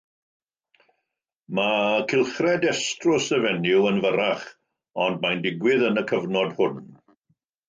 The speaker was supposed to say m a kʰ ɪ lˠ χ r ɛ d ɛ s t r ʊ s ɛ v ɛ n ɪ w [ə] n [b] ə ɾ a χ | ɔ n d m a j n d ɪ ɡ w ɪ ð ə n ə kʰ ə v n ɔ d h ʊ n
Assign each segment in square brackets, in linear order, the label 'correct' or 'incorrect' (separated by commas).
correct, incorrect